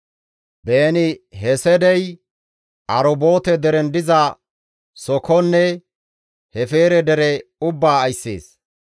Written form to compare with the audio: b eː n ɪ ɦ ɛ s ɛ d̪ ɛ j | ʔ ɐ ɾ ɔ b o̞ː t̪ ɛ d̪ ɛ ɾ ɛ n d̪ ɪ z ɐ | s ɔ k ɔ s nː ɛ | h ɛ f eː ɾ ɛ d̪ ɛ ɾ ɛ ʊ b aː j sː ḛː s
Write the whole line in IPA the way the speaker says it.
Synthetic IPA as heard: b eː n ɪ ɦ ɛ s ɛ d̪ ɛ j | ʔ ɐ ɾ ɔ b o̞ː t̪ ɛ d̪ ɛ ɾ ɛ n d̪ ɪ z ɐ | s ɔ k ɔ nː ɛ | h ɛ f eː ɾ ɛ d̪ ɛ ɾ ɛ ʊ bː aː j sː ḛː s